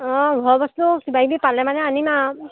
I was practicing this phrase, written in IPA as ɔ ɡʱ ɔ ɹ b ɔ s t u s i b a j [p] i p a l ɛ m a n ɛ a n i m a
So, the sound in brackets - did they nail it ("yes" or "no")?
no